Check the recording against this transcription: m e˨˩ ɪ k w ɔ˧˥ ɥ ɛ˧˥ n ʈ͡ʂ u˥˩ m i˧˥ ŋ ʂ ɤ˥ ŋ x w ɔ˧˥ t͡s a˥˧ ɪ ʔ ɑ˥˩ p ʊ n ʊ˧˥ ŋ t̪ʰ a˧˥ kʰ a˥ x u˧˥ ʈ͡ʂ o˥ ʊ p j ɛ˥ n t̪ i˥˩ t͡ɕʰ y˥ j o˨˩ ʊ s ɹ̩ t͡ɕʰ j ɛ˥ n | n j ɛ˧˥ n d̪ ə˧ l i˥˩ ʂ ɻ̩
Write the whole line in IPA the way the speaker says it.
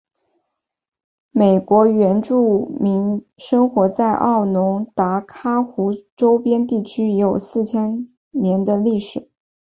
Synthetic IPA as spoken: m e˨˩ ɪ k w ɔ˧˥ ɥ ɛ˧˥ n ʈ͡ʂ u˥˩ m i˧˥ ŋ ʂ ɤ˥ ŋ x w ɔ˧˥ t͡s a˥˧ ɪ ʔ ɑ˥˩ ʊ n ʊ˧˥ ŋ t̪ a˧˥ kʰ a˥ x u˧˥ ʈ͡ʂ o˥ ʊ p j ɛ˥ n t̪ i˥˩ t͡ɕʰ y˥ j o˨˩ ʊ s ɹ̩ t͡ɕʰ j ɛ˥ n | n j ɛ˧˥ n d̪ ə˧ l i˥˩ ʂ ɻ̩